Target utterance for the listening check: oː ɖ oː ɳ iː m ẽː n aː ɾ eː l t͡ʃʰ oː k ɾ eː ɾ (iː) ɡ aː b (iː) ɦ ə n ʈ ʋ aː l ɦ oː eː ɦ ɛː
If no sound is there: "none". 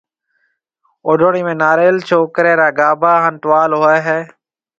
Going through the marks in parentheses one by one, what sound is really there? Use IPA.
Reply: aː, aː

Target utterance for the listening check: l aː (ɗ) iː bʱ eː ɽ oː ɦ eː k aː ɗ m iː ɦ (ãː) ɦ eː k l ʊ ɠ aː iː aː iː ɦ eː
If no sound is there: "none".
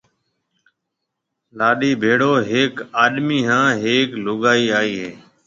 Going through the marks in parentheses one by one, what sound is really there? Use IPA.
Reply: ɗ, ãː

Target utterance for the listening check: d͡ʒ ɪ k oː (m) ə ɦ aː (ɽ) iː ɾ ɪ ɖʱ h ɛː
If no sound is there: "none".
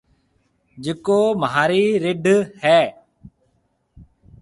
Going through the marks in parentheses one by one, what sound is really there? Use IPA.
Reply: m, ɾ

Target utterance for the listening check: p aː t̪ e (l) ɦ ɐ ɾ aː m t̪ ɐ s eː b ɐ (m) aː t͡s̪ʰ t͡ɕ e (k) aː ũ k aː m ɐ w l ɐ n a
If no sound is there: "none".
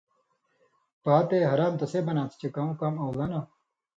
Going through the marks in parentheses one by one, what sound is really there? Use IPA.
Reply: none, n, k

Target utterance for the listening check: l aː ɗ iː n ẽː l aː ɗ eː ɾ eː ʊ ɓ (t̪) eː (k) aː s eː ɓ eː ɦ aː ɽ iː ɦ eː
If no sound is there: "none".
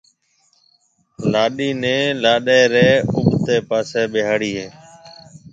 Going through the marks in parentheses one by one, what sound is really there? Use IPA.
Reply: t̪, p

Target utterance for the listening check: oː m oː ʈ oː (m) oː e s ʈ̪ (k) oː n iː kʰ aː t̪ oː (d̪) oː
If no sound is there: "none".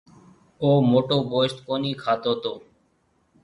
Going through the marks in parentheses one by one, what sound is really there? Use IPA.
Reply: b, k, t̪

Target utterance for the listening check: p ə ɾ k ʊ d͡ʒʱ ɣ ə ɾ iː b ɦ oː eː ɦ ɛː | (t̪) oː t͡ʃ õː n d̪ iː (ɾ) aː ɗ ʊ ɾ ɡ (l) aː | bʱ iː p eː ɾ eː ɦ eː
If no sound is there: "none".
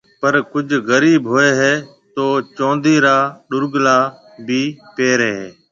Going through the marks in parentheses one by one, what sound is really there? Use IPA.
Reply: t̪, ɾ, l

